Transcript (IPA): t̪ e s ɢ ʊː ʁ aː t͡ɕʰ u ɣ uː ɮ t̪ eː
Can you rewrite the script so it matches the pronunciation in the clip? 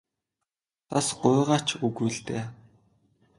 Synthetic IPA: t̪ a s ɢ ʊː ʁ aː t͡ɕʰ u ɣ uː ɮ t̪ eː